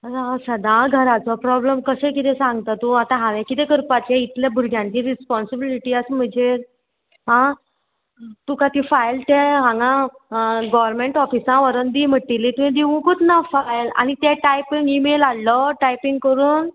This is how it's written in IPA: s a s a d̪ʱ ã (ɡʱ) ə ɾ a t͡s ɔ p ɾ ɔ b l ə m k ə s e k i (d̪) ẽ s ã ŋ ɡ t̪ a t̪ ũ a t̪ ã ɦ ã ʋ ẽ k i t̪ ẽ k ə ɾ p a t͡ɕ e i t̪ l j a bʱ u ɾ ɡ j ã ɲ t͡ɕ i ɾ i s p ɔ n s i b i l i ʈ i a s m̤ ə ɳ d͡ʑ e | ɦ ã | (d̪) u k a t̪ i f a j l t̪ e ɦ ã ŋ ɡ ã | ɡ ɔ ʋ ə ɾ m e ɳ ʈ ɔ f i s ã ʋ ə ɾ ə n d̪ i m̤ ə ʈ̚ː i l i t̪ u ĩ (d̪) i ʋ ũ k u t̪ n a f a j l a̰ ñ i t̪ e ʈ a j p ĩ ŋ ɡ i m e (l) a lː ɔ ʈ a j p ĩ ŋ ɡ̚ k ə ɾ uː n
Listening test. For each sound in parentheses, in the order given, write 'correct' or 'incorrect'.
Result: correct, incorrect: t̪, incorrect: t̪, correct, correct

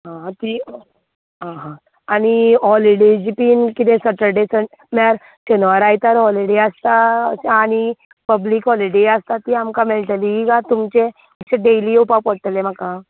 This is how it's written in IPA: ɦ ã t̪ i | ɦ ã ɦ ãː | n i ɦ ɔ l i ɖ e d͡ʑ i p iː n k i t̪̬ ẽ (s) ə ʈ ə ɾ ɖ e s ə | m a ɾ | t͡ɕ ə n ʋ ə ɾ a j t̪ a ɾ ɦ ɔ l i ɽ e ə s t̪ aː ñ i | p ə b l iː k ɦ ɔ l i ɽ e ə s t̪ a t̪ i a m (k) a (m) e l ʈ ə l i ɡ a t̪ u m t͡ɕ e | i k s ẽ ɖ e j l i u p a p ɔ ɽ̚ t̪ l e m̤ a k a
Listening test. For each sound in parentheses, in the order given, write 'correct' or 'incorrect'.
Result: correct, correct, correct

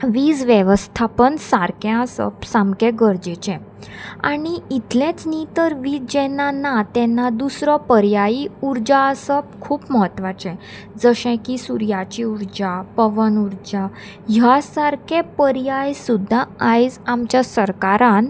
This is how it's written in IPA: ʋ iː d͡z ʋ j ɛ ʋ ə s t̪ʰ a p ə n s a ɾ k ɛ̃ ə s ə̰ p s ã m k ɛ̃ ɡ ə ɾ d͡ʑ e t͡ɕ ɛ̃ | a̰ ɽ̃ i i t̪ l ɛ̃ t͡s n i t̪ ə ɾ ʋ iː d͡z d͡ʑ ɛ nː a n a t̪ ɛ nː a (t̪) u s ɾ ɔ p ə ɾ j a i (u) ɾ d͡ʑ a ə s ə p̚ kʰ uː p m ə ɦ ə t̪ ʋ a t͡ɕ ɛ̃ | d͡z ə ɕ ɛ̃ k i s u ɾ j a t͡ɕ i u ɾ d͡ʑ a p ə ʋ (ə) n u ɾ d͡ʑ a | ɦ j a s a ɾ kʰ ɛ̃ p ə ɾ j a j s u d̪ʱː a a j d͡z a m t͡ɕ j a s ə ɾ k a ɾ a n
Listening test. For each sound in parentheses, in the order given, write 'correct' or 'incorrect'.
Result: incorrect: d̪, correct, correct

